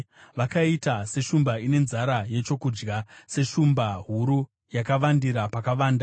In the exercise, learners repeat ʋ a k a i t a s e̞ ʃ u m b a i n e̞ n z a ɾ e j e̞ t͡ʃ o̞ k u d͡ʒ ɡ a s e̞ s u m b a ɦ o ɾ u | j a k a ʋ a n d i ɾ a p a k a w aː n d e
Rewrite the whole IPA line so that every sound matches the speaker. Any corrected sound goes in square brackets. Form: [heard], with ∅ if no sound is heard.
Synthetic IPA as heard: ʋ a k a i t a s e̞ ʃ u m b a i n e̞ n z a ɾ [a] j e̞ t͡ʃ o̞ k u d͡ʒ ɡ a s e̞ [ʃ] u m b a ɦ [u] ɾ u | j a k a ʋ a n d i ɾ a p a k a [ʋ] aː n d [a]